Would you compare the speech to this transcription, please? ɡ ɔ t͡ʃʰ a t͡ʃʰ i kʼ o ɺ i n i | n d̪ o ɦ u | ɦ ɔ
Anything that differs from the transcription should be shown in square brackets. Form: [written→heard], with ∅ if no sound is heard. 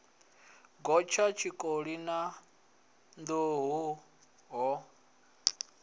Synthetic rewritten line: ɡ ɔ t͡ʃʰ a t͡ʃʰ i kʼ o ɺ i n [i→a] | n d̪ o ɦ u | ɦ ɔ